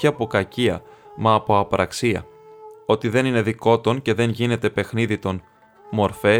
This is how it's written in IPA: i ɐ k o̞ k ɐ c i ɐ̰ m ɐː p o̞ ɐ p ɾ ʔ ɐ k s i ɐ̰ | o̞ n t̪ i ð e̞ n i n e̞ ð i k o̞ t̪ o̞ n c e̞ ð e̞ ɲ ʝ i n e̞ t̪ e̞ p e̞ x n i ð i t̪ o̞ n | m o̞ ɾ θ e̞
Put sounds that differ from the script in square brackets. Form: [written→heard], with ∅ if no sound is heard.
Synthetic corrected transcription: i ɐ [k→p] o̞ k ɐ c i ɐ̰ m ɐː p o̞ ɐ p ɾ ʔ ɐ k s i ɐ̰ | o̞ [n→∅] t̪ i ð e̞ n i n e̞ ð i k o̞ t̪ o̞ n c e̞ ð e̞ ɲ ʝ i n e̞ t̪ e̞ p e̞ x n i ð i t̪ o̞ n | m o̞ ɾ [θ→f] e̞